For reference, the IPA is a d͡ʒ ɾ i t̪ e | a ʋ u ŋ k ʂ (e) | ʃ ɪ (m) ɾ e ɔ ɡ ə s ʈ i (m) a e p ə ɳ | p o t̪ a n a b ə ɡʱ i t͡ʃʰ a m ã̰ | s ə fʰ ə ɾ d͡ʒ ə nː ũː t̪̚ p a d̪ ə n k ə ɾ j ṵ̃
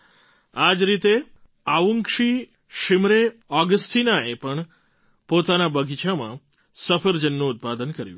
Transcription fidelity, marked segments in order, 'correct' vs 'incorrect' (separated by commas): incorrect, correct, incorrect